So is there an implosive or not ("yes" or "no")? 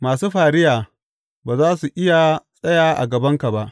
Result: no